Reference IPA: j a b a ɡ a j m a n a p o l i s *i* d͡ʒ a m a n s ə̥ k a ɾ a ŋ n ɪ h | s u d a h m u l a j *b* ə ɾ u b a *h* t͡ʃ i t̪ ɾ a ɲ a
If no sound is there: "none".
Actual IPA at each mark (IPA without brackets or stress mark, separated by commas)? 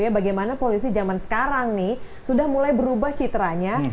i, b, h